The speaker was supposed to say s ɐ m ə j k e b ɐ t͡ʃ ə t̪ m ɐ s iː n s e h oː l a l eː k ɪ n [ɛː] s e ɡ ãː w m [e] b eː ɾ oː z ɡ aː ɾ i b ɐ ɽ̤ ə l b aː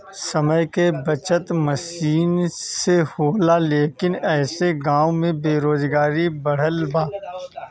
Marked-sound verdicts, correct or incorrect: correct, incorrect

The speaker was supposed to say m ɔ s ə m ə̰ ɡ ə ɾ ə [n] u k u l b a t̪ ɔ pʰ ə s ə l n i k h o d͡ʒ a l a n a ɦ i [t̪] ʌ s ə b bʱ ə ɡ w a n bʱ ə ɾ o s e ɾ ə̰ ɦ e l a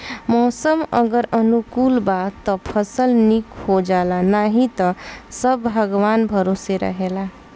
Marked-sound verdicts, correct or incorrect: correct, correct

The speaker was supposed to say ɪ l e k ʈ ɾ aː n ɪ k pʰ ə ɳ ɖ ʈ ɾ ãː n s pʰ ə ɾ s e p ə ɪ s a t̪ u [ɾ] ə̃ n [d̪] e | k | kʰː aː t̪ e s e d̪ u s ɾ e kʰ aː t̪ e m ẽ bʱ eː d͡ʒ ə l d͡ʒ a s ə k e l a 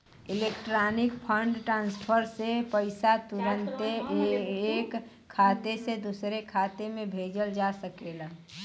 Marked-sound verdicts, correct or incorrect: correct, incorrect

